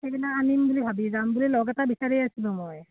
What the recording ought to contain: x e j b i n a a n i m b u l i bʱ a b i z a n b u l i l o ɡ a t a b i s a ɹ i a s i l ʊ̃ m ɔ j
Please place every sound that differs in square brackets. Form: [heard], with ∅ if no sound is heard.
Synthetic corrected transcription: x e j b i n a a n i m b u l i bʱ a b i z a [m] b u l i l [ɔ] ɡ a t a b i s a ɹ i a s i l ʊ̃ m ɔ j